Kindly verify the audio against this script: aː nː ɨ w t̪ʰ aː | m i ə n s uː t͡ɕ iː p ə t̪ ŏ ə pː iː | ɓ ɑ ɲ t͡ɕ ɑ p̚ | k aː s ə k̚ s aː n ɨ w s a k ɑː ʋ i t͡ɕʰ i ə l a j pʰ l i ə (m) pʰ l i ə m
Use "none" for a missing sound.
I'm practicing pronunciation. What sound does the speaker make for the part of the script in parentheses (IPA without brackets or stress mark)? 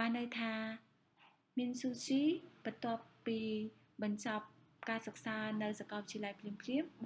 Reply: m